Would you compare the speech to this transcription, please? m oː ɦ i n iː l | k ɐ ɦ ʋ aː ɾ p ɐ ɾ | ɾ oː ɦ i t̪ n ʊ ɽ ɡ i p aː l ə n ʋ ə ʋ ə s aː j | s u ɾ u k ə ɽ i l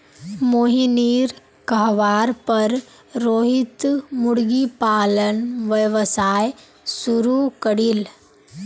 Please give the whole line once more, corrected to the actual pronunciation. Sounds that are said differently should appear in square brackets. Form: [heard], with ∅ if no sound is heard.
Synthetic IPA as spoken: m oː ɦ i n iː [ɾ] | k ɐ ɦ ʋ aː ɾ p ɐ ɾ | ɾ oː ɦ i t̪ [m] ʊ ɽ ɡ i p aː l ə n ʋ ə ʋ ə s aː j | s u ɾ u k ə ɽ i l